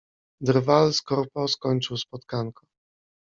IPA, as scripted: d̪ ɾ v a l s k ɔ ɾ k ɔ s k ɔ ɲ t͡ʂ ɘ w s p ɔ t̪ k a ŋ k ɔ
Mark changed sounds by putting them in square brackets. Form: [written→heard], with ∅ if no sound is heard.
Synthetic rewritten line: d̪ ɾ v a l s k ɔ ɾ [k→p] ɔ s k ɔ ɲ t͡ʂ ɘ w s p ɔ t̪ k a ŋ k ɔ